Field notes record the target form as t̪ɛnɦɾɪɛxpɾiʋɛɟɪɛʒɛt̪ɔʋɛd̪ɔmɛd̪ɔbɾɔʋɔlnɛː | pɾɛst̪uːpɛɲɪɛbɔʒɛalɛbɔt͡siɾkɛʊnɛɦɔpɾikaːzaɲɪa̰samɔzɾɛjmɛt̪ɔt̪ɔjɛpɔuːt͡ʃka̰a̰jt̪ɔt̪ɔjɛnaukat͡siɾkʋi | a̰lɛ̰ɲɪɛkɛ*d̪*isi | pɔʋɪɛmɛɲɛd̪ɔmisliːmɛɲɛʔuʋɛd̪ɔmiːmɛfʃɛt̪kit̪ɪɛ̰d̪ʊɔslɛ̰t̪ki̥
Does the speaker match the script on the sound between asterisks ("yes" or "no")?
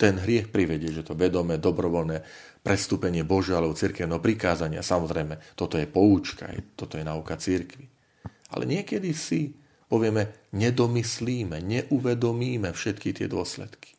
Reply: yes